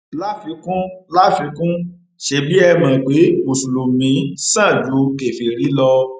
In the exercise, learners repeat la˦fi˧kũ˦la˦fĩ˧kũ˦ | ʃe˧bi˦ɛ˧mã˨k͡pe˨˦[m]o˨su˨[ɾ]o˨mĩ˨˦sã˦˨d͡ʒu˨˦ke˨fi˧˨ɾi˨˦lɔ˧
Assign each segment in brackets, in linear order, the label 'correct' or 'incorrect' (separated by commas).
correct, incorrect